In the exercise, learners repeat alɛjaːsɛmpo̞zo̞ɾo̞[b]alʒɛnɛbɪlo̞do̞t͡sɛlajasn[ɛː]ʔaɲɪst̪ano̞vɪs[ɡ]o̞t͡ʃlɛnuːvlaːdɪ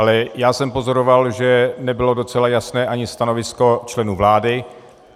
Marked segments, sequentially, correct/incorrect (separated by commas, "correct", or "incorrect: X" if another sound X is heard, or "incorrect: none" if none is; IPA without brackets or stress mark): incorrect: v, correct, incorrect: k